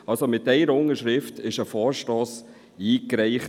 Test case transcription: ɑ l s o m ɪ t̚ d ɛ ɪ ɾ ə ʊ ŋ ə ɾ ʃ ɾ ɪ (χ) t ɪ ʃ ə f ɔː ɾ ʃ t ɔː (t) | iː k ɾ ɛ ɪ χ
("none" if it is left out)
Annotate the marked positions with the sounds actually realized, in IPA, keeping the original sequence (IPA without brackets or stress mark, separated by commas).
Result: f, s